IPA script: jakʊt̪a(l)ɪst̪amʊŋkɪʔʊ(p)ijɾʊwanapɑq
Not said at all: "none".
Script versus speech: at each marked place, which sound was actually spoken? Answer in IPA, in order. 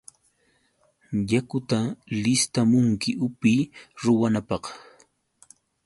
l, p

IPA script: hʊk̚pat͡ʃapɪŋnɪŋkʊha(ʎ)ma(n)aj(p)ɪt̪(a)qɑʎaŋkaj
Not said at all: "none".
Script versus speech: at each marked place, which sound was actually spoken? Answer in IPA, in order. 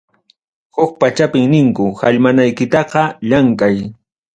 ʎ, n, k, ɑ

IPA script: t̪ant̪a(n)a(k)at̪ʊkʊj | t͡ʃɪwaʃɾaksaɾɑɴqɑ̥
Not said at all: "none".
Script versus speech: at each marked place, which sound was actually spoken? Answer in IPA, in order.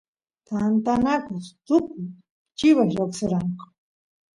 n, k

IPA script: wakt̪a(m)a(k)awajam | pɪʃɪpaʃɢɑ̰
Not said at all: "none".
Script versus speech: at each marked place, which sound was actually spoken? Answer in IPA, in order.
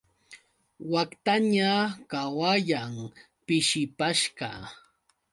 ɲ, k

